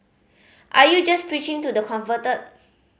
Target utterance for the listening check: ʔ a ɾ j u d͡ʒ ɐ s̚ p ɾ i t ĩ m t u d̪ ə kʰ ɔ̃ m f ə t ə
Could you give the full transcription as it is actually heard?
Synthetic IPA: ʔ a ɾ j u d͡ʒ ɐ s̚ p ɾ i t͡ʃ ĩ ŋ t u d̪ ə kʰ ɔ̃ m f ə t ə